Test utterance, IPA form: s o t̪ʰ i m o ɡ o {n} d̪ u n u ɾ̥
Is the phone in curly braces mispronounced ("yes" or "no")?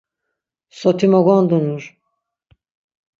no